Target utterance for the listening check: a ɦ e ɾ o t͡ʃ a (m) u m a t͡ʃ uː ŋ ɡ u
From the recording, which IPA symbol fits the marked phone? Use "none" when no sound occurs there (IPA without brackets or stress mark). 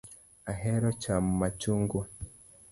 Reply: m